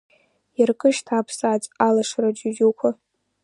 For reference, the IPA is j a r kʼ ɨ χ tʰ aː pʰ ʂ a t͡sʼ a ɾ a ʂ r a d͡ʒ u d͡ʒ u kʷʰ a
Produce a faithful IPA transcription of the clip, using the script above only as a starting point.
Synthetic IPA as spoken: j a r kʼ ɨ ʃ tʰ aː pʰ s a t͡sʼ a l a ʂ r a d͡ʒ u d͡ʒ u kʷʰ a